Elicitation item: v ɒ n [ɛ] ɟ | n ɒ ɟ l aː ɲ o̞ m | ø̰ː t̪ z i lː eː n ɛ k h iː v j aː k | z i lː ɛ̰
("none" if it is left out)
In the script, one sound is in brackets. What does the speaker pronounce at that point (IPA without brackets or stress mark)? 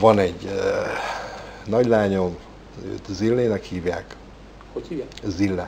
ɛ